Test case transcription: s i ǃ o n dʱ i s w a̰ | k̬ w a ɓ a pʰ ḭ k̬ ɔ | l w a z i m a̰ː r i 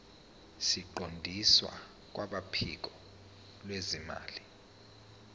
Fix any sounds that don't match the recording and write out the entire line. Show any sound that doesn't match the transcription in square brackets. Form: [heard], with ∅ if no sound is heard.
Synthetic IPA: s i ǃ o n dʱ i s w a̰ | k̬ w a ɓ a pʰ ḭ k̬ ɔ | l w [e] z i m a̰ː [l] i